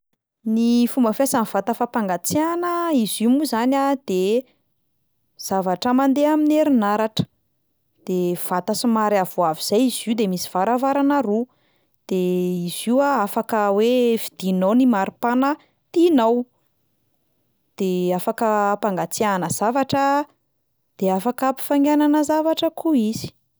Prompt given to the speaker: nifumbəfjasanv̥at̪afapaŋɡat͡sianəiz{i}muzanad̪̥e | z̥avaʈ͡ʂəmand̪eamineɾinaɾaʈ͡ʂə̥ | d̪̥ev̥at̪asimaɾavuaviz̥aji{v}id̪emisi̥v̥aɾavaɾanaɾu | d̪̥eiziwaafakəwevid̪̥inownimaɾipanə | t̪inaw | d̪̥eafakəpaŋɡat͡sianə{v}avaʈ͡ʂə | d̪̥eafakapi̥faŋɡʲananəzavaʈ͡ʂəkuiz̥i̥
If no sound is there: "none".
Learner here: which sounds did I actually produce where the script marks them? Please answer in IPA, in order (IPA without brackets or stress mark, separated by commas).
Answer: i, z, z